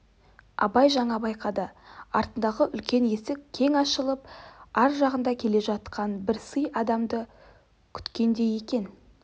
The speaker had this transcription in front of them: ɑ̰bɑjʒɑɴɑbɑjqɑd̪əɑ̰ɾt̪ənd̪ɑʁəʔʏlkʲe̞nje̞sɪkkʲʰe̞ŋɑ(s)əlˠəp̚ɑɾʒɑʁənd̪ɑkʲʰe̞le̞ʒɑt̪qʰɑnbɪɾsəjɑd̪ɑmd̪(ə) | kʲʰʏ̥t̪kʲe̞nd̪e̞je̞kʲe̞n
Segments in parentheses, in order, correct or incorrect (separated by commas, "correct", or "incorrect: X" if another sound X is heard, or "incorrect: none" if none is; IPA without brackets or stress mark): incorrect: ʃ, correct